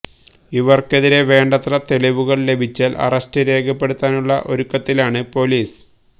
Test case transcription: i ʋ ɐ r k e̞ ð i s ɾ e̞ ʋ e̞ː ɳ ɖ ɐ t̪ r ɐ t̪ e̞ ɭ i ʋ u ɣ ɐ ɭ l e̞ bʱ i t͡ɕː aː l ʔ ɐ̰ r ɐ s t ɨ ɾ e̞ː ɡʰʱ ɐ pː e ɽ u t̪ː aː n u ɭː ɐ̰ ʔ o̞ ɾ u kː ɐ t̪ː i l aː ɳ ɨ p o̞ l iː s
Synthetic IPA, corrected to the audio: i ʋ ɐ r k e̞ ð i ɾ e̞ ʋ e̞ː ɳ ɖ ɐ t̪ r ɐ t̪ e̞ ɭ i ʋ u ɣ ɐ ɭ l e̞ bʱ i t͡ɕː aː l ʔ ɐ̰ r ɐ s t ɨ ɾ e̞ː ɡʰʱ ɐ pː e ɽ u t̪ː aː n u ɭː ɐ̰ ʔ o̞ ɾ u kː ɐ t̪ː i l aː ɳ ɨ p o̞ l iː s